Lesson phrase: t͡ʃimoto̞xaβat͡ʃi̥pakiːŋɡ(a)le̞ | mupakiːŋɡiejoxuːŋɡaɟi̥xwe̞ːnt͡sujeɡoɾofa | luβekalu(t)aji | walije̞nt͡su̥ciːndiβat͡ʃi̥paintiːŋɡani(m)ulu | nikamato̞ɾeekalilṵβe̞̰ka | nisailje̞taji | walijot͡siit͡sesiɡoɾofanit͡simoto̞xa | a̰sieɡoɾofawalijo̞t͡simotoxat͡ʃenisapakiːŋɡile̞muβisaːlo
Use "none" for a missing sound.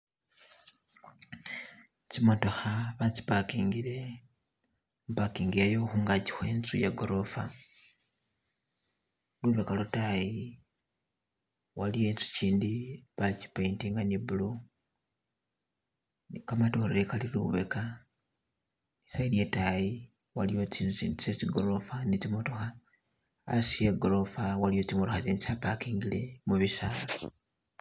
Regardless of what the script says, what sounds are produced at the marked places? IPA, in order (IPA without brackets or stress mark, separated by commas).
i, t, b